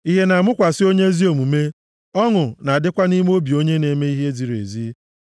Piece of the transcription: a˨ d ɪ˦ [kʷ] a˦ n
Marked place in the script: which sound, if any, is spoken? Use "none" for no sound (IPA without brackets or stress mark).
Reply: kʷ